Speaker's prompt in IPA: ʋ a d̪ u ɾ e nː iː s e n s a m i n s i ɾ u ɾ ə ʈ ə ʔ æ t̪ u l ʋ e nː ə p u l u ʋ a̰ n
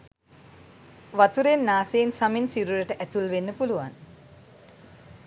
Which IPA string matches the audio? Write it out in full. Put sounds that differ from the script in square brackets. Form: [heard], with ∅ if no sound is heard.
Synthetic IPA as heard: ʋ a [t̪] u ɾ e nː [aː] s e n s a m i n s i ɾ u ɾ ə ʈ ə ʔ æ t̪ u l ʋ e nː ə p u l u ʋ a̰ n